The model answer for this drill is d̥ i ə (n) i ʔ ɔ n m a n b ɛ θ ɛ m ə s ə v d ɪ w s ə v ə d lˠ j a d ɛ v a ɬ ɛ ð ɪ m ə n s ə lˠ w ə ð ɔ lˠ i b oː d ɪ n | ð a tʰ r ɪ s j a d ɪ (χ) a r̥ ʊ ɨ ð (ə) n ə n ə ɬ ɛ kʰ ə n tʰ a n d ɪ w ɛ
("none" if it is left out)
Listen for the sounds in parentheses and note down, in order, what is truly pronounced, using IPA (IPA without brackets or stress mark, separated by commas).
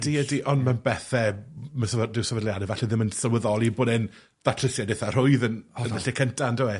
d, θ, ə